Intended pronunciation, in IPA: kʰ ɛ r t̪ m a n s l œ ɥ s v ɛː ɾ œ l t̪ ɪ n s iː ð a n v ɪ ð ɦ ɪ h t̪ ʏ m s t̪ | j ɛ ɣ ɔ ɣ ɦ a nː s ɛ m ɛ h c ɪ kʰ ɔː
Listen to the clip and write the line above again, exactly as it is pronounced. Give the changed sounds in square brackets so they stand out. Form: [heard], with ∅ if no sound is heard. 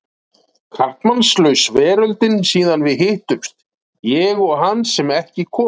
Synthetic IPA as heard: kʰ [a] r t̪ m a n s l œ ɥ s v ɛː ɾ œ l t̪ ɪ n s iː ð a n v ɪ ð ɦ ɪ h t̪ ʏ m s t̪ | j ɛ ɣ ɔ ɣ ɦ a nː s ɛ m ɛ h c ɪ kʰ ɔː